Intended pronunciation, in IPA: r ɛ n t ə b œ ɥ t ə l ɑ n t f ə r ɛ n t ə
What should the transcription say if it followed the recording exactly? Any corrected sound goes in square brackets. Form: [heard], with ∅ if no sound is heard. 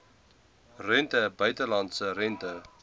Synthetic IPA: r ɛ n t ə b œ ɥ t ə l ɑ n t [s] ə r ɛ n t ə